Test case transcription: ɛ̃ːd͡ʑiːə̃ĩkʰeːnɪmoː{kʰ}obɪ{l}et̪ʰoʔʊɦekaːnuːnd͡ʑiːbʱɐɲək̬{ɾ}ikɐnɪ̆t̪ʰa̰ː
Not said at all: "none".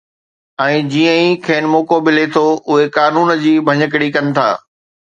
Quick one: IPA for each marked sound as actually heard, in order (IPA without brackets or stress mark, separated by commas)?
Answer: k, l, ɽ